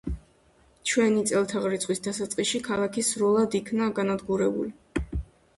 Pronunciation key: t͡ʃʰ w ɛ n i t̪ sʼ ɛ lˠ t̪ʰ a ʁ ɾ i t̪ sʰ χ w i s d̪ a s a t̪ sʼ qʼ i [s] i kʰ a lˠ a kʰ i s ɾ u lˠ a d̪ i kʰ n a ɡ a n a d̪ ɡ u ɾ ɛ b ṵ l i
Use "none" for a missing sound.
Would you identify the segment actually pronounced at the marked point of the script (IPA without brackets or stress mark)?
ʃ